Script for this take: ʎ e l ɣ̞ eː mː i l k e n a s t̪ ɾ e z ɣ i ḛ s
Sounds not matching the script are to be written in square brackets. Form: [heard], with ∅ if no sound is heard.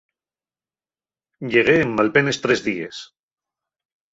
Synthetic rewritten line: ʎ e [∅] ɣ̞ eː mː [a] l [p] e n [e] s t̪ ɾ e z [ð] i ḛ s